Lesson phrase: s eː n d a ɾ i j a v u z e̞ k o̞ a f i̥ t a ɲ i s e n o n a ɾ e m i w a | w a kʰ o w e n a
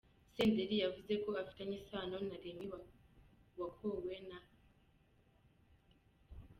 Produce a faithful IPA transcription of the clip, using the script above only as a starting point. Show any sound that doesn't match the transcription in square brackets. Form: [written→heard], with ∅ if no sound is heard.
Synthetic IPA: s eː n d [a→e] ɾ i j a v u z e̞ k o̞ a f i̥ t a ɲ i s [e→a] n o n a ɾ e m i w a | w a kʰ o w e n a